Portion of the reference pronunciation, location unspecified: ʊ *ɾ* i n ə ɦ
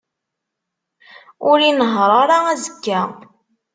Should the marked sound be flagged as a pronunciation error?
no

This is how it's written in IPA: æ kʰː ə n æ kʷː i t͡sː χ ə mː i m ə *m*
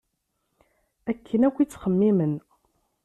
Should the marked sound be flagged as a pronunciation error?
yes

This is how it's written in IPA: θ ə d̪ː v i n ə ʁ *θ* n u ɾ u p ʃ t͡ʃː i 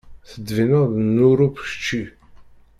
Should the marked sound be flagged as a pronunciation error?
yes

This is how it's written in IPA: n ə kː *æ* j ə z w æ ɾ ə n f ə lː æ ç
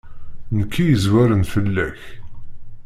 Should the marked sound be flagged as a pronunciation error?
yes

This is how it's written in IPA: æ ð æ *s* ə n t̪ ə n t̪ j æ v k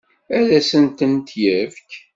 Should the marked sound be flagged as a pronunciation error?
no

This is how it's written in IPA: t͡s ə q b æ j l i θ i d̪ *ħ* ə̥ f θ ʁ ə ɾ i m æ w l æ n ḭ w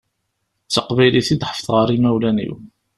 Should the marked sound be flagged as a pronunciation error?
no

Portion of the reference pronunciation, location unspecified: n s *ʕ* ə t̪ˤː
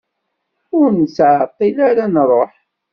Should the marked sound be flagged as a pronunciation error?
no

